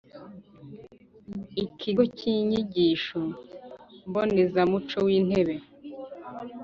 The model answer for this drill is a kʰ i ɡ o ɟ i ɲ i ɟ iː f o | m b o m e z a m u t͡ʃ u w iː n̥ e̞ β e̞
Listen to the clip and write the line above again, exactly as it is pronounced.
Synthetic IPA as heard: i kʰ i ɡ o c i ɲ i ɟ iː ʃ o | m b o n e z a m u t͡ʃ o w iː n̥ e̞ β e̞